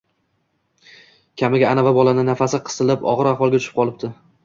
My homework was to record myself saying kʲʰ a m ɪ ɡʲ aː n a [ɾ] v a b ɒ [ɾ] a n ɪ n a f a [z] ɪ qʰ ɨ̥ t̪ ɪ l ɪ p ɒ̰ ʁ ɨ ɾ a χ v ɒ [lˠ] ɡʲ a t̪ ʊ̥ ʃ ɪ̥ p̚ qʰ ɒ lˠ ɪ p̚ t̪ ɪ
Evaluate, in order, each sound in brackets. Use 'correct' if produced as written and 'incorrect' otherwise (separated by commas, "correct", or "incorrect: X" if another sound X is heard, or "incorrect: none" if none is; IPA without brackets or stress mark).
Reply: incorrect: none, incorrect: l, incorrect: s, correct